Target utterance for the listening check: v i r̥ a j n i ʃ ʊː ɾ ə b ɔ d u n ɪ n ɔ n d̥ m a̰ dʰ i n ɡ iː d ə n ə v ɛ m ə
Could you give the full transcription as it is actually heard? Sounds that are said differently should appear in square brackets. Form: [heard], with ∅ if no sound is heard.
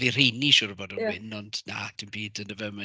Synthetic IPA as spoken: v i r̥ [e] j n i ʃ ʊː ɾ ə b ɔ d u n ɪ n ɔ n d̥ [n] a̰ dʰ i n [b] iː d ə n ə v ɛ m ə